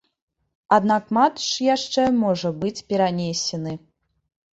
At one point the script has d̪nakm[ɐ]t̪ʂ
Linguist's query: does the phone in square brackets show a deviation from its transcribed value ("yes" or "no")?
yes